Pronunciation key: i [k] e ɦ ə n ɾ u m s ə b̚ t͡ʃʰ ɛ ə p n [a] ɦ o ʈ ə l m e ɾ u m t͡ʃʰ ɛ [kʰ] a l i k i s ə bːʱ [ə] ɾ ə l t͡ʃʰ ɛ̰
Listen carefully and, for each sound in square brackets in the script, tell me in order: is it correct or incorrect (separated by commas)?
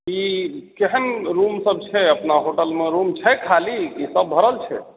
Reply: correct, correct, correct, correct